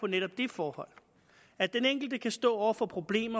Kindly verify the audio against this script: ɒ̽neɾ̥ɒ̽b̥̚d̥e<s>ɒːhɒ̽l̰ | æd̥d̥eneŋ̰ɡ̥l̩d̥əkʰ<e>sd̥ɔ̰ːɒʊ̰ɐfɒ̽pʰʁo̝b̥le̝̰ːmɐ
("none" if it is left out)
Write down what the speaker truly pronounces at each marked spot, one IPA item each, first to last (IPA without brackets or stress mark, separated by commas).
f, æ